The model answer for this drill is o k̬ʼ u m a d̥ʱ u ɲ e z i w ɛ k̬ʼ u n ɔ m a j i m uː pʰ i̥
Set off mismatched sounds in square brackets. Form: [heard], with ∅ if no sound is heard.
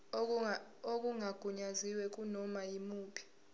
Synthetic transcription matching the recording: o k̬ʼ u [ŋ] a [ɡ̥ʱ] u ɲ [a] z i w ɛ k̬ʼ u n ɔ m a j i m uː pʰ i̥